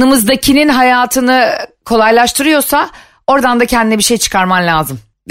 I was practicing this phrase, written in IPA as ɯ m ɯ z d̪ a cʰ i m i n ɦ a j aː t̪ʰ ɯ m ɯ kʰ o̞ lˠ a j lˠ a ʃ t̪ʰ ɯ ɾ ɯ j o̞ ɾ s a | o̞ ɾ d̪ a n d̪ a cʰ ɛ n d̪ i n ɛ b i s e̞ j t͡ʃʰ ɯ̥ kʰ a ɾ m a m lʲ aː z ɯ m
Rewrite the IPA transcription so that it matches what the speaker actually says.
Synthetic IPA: ɯ m ɯ z d̪ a cʰ i n i n ɦ a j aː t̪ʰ ɯ n ɯ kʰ o̞ lˠ a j lˠ a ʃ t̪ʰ ɯ ɾ ɯ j o̞ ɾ s a | o̞ ɾ d̪ a n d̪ a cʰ ɛ n d̪ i n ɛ b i ʃ e̞ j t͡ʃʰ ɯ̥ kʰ a ɾ m a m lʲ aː z ɯ m